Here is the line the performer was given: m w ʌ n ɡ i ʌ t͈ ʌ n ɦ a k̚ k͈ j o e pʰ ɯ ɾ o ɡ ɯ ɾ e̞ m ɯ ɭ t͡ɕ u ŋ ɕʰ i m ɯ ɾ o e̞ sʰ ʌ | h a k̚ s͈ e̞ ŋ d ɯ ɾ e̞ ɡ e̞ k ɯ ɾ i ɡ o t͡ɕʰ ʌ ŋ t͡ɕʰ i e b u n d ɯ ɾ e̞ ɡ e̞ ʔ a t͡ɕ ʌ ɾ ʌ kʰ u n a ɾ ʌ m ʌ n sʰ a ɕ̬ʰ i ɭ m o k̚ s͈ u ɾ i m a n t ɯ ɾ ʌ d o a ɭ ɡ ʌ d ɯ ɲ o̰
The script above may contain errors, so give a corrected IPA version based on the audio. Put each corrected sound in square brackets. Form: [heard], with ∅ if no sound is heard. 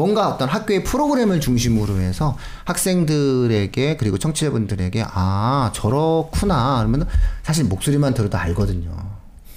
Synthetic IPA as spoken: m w ʌ n ɡ [a] ʌ t͈ ʌ n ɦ a k̚ k͈ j o e pʰ ɯ ɾ o ɡ ɯ ɾ e̞ m ɯ ɭ t͡ɕ u ŋ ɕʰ i m ɯ ɾ o e̞ sʰ ʌ | h a k̚ s͈ e̞ ŋ d ɯ ɾ e̞ ɡ e̞ k ɯ ɾ i ɡ o t͡ɕʰ ʌ ŋ t͡ɕʰ i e b u n d ɯ ɾ e̞ ɡ e̞ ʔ a t͡ɕ ʌ ɾ ʌ kʰ u n a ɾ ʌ m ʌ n sʰ a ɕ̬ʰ i ɭ m o k̚ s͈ u ɾ i m a n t ɯ ɾ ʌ d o a ɭ ɡ ʌ d ɯ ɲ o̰